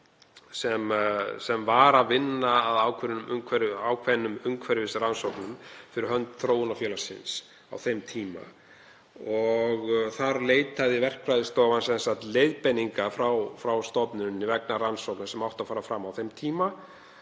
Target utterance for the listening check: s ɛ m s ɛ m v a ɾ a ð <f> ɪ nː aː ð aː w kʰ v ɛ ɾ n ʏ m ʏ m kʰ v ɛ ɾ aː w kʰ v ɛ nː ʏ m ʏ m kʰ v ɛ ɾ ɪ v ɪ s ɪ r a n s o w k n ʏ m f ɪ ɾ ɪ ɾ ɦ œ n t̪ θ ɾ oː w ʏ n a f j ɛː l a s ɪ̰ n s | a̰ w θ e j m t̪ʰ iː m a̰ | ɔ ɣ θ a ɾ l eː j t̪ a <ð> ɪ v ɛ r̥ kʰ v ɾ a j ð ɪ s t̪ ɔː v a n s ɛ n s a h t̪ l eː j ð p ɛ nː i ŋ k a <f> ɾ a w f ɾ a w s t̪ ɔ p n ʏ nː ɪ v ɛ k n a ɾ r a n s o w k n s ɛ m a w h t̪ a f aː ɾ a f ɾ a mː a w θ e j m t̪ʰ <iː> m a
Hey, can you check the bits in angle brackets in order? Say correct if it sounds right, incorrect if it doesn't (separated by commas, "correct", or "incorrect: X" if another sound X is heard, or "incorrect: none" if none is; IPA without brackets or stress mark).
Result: incorrect: v, correct, correct, correct